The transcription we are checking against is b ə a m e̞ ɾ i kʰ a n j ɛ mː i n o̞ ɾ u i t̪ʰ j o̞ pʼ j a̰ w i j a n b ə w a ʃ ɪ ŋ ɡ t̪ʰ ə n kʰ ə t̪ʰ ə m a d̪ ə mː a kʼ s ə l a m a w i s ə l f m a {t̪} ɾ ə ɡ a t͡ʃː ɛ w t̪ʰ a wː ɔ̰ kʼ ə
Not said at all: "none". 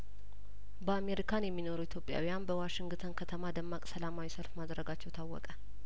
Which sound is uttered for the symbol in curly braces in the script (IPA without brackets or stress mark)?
d̪